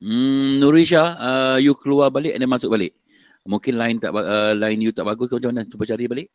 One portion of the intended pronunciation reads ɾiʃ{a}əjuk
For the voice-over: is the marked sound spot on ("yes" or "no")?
yes